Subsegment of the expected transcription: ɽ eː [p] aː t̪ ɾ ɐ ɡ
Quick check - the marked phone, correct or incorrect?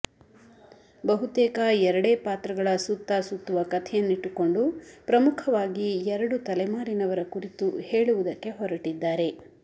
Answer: correct